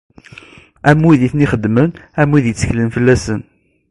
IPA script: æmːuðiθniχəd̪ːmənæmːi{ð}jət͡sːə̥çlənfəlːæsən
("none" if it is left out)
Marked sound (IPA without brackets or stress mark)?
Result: ð